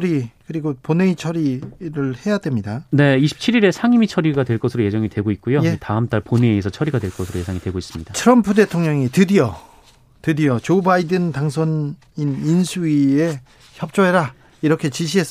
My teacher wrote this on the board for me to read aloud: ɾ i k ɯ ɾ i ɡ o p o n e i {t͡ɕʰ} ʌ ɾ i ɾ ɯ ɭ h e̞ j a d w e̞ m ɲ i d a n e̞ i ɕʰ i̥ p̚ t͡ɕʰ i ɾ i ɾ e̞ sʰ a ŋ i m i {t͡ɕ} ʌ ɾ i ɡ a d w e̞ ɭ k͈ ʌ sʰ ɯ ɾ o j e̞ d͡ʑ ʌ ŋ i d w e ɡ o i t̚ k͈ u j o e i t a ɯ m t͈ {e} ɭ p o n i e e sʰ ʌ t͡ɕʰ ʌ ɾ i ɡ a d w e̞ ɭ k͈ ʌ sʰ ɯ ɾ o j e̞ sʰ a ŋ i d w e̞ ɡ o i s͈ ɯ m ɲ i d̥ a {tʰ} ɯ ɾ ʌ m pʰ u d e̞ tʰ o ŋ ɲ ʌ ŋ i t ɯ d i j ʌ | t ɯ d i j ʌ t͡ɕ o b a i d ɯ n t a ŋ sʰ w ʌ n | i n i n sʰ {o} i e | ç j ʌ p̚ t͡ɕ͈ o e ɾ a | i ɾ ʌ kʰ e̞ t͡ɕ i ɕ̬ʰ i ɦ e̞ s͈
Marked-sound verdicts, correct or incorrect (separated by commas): correct, incorrect, incorrect, correct, incorrect